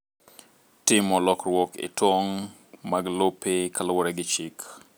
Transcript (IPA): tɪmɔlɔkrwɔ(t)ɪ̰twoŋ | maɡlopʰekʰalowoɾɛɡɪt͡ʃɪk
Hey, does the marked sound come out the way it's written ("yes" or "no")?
no